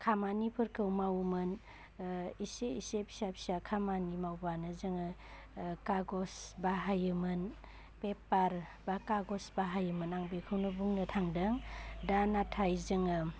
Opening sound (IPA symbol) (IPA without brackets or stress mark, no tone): kʰ